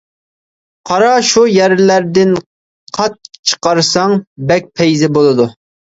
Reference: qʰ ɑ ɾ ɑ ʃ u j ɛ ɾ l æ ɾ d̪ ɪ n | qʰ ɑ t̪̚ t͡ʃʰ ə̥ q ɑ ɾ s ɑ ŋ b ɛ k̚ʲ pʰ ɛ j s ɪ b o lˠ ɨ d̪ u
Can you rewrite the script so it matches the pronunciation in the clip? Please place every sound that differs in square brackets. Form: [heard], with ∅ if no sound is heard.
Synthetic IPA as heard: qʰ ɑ ɾ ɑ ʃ u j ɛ ɾ l æ ɾ d̪ ɪ n | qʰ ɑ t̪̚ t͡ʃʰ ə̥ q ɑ ɾ s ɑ ŋ b ɛ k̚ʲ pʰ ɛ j [z] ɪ b o lˠ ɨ d̪ u